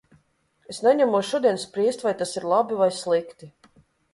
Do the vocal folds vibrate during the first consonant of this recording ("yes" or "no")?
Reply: no